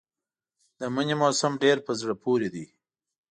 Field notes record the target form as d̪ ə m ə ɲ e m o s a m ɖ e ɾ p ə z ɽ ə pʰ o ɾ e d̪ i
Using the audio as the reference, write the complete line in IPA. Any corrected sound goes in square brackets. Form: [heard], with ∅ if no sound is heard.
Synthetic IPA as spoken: d̪ ə m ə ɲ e m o s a m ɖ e ɾ p ə z ɽ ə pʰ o ɾ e d̪ i